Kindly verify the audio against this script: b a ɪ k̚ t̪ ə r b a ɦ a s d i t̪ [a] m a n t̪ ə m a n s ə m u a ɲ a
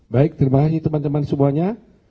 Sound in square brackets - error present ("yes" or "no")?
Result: yes